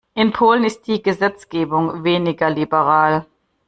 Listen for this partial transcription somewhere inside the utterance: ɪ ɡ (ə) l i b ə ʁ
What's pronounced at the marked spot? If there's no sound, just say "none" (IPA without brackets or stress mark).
ɐ